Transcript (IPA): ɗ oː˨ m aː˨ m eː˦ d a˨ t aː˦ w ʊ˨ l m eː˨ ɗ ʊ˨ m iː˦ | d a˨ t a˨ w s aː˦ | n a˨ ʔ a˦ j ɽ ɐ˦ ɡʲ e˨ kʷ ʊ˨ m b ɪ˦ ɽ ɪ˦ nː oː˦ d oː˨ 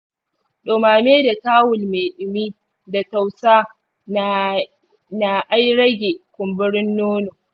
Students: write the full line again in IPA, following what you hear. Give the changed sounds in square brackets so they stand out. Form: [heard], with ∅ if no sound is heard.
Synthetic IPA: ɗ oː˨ m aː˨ m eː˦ d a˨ t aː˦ w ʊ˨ l m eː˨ ɗ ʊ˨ m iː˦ | d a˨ t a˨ w s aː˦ | n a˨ ʔ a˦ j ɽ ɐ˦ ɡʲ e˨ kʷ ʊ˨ m b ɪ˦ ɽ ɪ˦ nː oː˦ [n] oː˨